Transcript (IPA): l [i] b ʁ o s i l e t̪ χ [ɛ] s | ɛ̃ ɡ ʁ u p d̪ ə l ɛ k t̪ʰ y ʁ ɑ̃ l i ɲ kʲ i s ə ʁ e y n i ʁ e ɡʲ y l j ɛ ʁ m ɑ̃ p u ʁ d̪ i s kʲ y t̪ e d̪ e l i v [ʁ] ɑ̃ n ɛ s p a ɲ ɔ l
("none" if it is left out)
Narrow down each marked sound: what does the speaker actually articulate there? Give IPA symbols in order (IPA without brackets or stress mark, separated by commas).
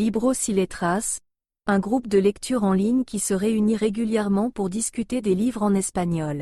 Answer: i, a, ʁ